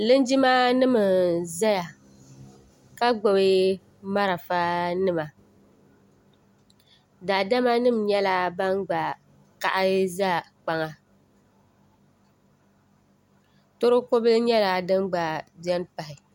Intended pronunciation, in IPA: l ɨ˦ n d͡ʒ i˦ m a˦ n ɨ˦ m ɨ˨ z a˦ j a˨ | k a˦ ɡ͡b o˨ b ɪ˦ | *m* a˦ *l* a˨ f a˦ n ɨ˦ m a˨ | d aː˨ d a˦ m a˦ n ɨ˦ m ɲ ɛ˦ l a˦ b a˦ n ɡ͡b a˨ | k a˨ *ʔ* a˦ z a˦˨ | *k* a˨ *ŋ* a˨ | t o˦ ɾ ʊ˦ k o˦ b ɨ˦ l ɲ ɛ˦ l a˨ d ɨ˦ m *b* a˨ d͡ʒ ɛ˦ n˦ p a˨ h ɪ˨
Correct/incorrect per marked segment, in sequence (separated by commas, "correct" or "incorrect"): correct, incorrect, correct, incorrect, correct, incorrect